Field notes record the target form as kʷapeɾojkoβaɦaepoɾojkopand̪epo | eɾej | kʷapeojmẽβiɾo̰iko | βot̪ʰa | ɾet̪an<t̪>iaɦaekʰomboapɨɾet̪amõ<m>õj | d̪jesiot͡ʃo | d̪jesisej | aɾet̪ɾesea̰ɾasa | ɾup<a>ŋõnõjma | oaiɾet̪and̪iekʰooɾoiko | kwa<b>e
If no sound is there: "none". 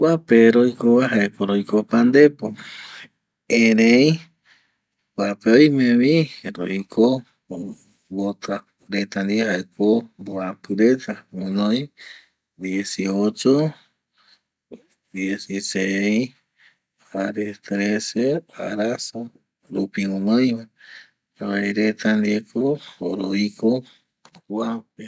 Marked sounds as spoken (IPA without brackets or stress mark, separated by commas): d̪, n, i, p